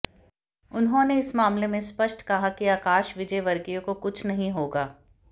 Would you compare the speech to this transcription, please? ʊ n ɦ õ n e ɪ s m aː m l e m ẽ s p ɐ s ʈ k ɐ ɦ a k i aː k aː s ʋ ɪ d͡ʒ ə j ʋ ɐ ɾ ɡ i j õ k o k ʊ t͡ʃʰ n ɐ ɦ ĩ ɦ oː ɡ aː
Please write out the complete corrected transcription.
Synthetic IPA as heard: ʊ n ɦ õ n e ɪ s m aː m l e m ẽ s p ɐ ʃ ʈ k ɐ ɦ a k i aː k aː ʃ ʋ ɪ d͡ʒ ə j ʋ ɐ ɾ ɡ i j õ k o k ʊ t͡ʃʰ n ɐ ɦ ĩ ɦ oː ɡ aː